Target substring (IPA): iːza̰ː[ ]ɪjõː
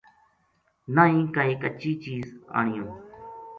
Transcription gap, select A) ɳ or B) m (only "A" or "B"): A